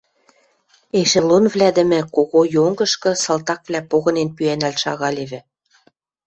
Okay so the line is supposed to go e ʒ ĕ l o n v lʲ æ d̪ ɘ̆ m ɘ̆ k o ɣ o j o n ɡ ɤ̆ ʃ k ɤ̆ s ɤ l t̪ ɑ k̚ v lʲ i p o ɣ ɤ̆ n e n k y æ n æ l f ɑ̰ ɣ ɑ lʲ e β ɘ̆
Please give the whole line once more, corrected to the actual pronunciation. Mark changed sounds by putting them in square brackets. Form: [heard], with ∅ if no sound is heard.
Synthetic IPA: e [ʃ] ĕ l o n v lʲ æ d̪ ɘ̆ m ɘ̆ k o ɣ o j o [ŋ] ɡ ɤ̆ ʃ k ɤ̆ s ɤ l t̪ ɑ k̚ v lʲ [æ] p o ɣ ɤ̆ n e n [p] y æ n æ l [ʃ] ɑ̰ ɣ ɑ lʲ e β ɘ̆

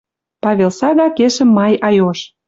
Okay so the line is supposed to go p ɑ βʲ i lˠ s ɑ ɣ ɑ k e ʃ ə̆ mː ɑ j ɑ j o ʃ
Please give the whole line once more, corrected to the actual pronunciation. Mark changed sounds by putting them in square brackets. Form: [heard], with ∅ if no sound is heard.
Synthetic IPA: p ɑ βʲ [e] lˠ s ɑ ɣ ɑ k e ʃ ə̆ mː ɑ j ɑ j o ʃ

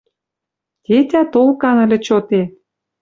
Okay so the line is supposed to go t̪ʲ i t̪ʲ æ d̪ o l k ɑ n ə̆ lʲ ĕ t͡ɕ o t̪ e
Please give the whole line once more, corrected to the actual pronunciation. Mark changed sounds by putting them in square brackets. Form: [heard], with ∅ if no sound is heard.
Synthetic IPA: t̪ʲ [e] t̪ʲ æ [t̪] o l k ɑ n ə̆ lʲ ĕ t͡ɕ o t̪ e

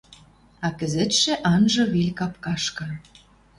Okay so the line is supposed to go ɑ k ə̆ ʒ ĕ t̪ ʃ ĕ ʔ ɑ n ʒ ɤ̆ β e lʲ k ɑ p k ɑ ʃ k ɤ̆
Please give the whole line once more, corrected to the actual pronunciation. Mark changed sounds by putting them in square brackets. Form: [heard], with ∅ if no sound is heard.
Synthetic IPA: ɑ k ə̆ [z] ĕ t̪ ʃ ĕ ʔ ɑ n ʒ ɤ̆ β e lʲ k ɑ p k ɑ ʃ k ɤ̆

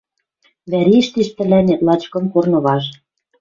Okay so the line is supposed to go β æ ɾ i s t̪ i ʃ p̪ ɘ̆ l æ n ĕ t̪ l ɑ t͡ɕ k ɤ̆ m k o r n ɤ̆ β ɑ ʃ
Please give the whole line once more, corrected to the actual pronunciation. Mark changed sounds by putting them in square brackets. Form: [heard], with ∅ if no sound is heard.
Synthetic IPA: β æ ɾ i [ʃ] t̪ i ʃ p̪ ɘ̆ l æ n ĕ t̪ l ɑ t͡ɕ k ɤ̆ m k o r n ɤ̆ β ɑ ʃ

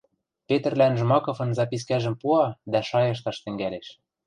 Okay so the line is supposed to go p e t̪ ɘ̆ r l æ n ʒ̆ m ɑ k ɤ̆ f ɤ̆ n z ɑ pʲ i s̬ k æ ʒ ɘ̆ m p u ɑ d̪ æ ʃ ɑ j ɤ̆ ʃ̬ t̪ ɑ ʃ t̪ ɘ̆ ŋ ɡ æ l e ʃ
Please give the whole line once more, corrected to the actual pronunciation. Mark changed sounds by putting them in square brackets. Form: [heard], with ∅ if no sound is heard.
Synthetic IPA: p e t̪ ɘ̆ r l æ n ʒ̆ m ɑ k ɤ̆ f ɤ̆ n z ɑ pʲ i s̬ k æ ʒ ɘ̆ m p u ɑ d̪ æ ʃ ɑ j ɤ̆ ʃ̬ t̪ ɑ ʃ t̪ ɘ̆ ŋ ɡ æ l e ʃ

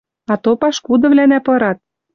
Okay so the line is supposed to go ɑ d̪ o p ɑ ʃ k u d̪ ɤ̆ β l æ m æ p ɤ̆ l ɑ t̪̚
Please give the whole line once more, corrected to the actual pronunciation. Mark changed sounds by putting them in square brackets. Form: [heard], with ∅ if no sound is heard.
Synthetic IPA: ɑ [t̪] o p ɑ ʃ k u d̪ ɤ̆ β l æ [n] æ p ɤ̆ [ɾ] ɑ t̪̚

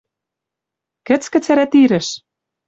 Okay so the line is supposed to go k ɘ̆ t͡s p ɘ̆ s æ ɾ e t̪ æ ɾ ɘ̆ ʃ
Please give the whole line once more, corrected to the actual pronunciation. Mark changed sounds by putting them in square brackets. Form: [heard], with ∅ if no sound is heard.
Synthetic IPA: k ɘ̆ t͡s [k] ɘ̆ [t͡s] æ ɾ [æ] t̪ [i] ɾ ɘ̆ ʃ

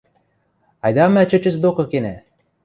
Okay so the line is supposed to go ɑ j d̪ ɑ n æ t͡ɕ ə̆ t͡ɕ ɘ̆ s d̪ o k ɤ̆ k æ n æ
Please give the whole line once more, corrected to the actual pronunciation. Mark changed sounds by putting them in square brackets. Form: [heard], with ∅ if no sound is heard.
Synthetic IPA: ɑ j d̪ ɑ [m] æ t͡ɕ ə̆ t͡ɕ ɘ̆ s d̪ o k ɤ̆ k [e] n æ

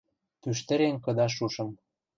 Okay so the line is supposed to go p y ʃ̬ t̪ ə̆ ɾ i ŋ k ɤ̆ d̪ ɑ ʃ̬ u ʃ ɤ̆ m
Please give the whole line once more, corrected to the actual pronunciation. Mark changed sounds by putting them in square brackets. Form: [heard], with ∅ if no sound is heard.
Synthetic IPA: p y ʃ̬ t̪ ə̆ ɾ [e] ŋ k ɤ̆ d̪ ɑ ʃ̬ u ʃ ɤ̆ m

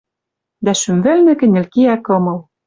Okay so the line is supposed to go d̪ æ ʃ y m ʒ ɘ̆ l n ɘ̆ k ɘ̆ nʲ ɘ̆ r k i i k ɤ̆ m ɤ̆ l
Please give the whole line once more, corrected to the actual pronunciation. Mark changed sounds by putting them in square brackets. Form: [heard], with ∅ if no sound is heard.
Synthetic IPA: d̪ æ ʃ y m [v] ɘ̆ l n ɘ̆ k ɘ̆ nʲ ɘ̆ [l] k i [æ] k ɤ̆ m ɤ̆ l

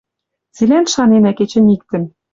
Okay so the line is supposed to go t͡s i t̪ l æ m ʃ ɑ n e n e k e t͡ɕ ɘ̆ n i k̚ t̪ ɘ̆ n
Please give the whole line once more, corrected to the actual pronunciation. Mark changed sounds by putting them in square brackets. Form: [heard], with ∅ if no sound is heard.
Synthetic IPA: t͡s i [∅] l æ [n] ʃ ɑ n e n [æ] k e t͡ɕ ɘ̆ n i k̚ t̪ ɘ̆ n

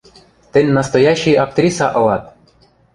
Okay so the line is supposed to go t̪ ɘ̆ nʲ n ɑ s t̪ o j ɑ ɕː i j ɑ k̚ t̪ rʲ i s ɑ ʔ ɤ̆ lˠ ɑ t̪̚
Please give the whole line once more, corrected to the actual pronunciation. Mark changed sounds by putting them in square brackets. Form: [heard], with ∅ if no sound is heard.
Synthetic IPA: t̪ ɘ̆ nʲ n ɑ s t̪ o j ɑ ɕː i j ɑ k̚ t̪ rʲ i s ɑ ʔ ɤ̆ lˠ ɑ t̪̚

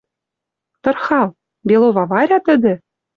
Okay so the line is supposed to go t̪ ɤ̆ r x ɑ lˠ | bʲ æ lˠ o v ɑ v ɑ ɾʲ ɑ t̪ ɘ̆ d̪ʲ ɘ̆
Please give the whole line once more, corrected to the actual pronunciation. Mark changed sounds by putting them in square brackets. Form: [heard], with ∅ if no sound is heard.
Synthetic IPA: t̪ ɤ̆ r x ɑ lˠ | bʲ [e] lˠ o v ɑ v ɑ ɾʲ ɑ t̪ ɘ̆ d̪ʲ ɘ̆

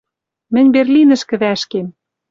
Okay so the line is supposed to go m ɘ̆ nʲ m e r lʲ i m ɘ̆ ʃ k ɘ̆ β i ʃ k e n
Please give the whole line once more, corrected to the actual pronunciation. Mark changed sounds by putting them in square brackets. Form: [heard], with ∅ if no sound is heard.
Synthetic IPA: m ɘ̆ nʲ [b] e r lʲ i [n] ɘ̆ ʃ k ɘ̆ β [æ] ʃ k e [m]

